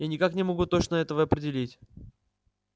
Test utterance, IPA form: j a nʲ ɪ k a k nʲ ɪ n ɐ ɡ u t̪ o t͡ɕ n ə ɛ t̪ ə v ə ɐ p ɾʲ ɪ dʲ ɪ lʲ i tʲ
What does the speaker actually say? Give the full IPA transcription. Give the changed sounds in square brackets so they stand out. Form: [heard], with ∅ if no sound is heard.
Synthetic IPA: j a nʲ ɪ k a k nʲ ɪ [m] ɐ ɡ u t̪ o t͡ɕ n ə ɛ t̪ ə v ə ɐ p ɾʲ ɪ dʲ ɪ lʲ i tʲ

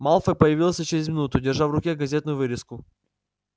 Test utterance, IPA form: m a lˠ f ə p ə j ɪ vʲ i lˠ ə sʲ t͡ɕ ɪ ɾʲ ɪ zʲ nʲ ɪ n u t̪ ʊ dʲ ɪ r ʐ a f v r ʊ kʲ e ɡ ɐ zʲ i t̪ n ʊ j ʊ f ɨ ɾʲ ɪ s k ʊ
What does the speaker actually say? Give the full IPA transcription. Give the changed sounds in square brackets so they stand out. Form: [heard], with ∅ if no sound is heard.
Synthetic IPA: m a lˠ f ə p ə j ɪ vʲ i lˠ ə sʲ t͡ɕ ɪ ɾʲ ɪ zʲ [mʲ] ɪ n u t̪ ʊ dʲ ɪ r ʐ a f v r ʊ kʲ e ɡ ɐ zʲ [e] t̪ n ʊ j ʊ [v] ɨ ɾʲ ɪ s k ʊ

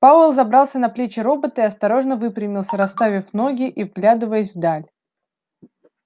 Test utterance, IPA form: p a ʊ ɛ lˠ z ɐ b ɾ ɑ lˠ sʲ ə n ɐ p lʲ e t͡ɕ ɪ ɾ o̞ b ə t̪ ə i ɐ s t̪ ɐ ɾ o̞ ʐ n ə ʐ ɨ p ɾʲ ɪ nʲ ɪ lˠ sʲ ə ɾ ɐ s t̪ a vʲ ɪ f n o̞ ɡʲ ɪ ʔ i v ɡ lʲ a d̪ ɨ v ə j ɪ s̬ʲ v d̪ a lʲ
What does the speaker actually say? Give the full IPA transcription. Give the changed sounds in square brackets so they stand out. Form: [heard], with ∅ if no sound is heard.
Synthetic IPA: p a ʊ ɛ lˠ z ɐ b ɾ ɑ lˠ sʲ ə n ɐ p lʲ e t͡ɕ ɪ ɾ o̞ b ə t̪ ə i ɐ s t̪ ɐ ɾ o̞ ʐ n ə [v] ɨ p ɾʲ ɪ [mʲ] ɪ lˠ sʲ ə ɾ ɐ s t̪ a vʲ ɪ f n o̞ ɡʲ ɪ ʔ i v ɡ lʲ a d̪ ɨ v ə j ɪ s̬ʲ v d̪ a lʲ

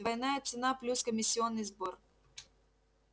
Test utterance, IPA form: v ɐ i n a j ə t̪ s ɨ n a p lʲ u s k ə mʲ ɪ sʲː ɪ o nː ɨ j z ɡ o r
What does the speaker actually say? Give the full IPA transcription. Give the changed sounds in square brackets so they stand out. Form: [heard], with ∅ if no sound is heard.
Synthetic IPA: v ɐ [j] n a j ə t̪ s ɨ n a p lʲ u s k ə mʲ ɪ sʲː ɪ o nː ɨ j z [b] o r

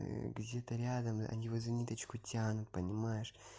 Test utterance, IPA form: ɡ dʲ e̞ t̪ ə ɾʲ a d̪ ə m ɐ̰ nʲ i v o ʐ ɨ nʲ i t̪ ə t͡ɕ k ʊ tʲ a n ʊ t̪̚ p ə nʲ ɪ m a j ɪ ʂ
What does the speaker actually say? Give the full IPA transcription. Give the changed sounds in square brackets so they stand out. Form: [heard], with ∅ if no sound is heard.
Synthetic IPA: ɡ dʲ e̞ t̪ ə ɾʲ a d̪ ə m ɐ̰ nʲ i v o [z] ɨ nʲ i t̪ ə t͡ɕ k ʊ tʲ a n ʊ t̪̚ p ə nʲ ɪ m a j ɪ ʂ

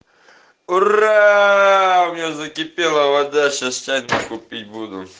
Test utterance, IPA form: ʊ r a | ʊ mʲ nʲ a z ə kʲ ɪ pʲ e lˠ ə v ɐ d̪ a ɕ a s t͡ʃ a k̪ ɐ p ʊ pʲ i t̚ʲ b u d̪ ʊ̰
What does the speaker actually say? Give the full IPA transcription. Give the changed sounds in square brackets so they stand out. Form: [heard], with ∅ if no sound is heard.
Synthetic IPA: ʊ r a | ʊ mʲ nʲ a z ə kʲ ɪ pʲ e lˠ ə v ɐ d̪ a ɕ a s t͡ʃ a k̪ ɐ [k] ʊ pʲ i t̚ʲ b u d̪ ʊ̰

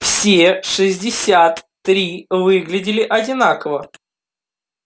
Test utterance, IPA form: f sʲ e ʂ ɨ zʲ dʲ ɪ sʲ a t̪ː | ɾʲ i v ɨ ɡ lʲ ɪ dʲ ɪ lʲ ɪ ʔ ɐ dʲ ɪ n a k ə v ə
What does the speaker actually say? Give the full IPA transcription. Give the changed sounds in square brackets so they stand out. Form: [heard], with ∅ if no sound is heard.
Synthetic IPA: f sʲ e ʂ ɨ zʲ dʲ ɪ sʲ a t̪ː | ɾʲ i v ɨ ɡ lʲ ɪ dʲ ɪ lʲ ɪ ʔ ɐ dʲ ɪ n a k ə v ə

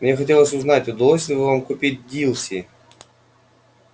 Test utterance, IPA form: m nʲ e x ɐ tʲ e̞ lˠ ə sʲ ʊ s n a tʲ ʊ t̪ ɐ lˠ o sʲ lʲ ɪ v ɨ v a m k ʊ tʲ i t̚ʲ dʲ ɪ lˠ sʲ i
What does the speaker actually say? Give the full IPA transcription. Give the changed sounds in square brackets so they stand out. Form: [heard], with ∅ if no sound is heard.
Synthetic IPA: m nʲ e x ɐ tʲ e̞ lˠ ə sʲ ʊ [z] n a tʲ ʊ [d̪] ɐ lˠ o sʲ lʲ ɪ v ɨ v a m k ʊ [pʲ] i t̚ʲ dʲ [i] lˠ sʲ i

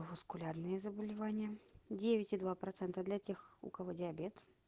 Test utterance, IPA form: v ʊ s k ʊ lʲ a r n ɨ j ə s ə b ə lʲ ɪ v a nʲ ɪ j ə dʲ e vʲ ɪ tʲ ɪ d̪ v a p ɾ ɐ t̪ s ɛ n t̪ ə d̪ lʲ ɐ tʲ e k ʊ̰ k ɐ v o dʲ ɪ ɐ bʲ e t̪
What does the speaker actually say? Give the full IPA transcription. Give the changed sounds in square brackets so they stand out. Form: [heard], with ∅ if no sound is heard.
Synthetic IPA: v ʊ s k ʊ lʲ a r n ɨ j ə [z] ə b ə lʲ ɪ v a nʲ ɪ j ə dʲ e vʲ ɪ tʲ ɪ d̪ v a p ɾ ɐ t̪ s ɛ n t̪ ə d̪ lʲ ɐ tʲ e [x] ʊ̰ k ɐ v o dʲ ɪ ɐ bʲ e t̪

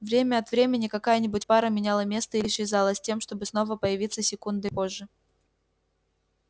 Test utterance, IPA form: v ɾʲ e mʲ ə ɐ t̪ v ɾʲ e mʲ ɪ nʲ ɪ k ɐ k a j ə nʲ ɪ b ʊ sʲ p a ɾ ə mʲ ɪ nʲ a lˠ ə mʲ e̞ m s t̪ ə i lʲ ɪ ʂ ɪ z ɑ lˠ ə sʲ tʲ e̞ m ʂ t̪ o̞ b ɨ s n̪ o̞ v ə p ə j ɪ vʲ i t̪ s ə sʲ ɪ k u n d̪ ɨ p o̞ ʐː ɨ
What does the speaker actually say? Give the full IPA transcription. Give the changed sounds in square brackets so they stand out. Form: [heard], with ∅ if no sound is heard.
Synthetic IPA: v ɾʲ e mʲ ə ɐ t̪ v ɾʲ e mʲ ɪ nʲ ɪ k ɐ k a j ə nʲ ɪ b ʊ [tʲ] p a ɾ ə mʲ ɪ nʲ a lˠ ə mʲ e̞ [∅] s t̪ ə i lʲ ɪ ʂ ɪ z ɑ lˠ ə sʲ tʲ e̞ m ʂ t̪ o̞ b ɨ s n̪ o̞ v ə p ə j ɪ vʲ i t̪ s ə sʲ ɪ k u n d̪ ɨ p o̞ ʐː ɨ

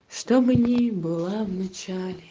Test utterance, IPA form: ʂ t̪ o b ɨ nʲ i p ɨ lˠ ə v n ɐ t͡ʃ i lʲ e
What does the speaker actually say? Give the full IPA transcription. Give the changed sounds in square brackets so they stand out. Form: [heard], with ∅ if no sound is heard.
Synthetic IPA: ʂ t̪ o b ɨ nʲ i [b] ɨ lˠ [a] v n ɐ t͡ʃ [a] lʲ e

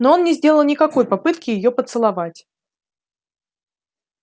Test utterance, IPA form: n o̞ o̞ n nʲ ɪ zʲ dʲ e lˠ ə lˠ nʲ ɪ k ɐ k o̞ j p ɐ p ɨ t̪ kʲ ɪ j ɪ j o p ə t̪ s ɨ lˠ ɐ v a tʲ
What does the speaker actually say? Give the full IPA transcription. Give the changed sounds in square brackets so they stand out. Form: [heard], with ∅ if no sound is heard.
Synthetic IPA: n o̞ o̞ n nʲ ɪ zʲ dʲ e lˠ ə lˠ nʲ ɪ k ɐ k o̞ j p ɐ p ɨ t̪ kʲ ɪ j ɪ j o p ə t̪ s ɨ lˠ ɐ v a tʲ

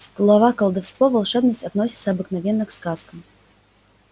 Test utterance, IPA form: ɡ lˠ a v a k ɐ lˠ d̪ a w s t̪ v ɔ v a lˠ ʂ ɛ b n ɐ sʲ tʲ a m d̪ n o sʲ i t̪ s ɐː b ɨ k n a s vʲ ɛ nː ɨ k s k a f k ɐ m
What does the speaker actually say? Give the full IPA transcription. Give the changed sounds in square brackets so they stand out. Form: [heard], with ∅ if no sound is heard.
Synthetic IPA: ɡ lˠ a v a k ɐ lˠ d̪ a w s t̪ v ɔ v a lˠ ʂ ɛ b n ɐ sʲ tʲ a [∅] d̪ n [ɔ] sʲ i t̪ s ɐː b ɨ k n a [∅] vʲ ɛ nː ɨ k s k a [s] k ɐ m

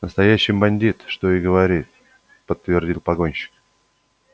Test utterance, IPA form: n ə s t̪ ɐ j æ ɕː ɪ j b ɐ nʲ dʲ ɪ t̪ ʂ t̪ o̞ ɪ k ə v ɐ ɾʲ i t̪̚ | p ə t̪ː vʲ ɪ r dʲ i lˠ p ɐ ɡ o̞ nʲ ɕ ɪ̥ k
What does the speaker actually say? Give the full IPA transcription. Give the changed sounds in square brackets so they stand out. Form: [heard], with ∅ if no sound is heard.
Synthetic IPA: n ə s t̪ ɐ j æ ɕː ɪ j b ɐ nʲ dʲ [i] t̪ ʂ t̪ o̞ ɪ [ɡ] ə v ɐ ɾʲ i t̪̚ | p ə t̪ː vʲ ɪ r dʲ i lˠ p ɐ ɡ o̞ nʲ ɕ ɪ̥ k

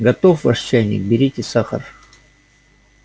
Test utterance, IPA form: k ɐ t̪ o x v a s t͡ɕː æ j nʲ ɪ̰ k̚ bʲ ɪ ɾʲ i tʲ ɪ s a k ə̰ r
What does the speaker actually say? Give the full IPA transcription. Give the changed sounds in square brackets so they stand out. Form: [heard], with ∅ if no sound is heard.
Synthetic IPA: [ɡ] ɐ t̪ o [f] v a [ʂ] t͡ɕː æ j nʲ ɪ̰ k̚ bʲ ɪ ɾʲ i tʲ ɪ s a [x] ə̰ r

